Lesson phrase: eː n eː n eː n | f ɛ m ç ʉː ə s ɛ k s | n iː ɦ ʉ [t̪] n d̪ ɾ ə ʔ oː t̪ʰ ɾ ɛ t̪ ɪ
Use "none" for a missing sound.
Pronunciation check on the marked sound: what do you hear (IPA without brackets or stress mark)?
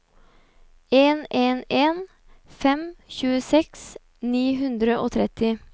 none